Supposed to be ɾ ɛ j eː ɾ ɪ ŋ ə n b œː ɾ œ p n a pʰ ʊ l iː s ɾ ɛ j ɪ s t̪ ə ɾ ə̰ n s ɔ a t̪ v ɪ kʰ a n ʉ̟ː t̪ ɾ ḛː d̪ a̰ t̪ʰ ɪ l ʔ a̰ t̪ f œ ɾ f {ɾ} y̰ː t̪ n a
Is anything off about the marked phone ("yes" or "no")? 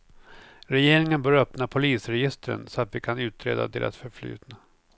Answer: yes